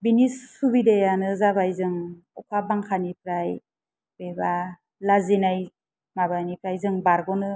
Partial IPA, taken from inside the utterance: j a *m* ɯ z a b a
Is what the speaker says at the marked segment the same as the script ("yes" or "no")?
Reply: no